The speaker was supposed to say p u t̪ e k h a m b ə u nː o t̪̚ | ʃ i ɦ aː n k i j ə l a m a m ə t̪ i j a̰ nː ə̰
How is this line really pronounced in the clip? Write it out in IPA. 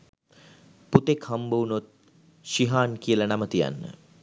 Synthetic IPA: p u t̪ e k h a m b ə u n o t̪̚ | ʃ i ɦ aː n k i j ə l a n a m ə t̪ i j a̰ nː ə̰